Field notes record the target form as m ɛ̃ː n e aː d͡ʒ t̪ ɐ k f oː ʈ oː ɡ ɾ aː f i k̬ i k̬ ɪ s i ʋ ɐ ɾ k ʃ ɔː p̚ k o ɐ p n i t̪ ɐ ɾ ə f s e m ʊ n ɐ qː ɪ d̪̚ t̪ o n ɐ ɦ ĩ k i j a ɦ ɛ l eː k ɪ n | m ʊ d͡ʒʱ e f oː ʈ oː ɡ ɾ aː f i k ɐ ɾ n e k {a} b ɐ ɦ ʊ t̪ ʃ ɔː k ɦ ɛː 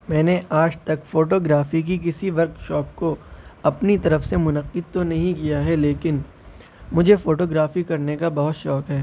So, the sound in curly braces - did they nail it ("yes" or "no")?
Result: yes